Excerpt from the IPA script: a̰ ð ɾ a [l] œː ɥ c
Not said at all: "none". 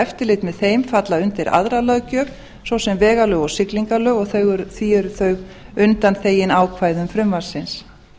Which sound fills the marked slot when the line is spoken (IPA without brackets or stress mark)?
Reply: l